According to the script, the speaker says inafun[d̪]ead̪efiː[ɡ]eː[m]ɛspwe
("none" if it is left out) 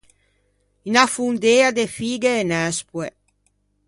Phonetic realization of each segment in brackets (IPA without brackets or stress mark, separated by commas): d̪, ɡ, n